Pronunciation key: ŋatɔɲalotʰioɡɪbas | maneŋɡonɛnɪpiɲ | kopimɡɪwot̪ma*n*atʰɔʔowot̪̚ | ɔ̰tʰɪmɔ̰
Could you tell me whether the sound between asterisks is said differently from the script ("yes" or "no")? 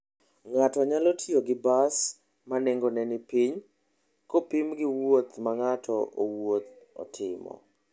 yes